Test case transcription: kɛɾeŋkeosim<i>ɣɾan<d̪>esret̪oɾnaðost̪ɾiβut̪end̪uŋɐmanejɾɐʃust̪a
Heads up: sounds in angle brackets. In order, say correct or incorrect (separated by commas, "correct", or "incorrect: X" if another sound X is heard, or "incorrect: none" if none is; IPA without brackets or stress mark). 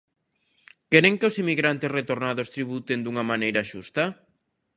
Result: correct, incorrect: t̪